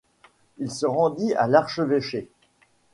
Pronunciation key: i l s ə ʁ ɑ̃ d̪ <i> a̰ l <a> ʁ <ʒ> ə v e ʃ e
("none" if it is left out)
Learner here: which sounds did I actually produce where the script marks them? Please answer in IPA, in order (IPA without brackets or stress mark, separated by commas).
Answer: i, a, ʃ